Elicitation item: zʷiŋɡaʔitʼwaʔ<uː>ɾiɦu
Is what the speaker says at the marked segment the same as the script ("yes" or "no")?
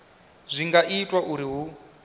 no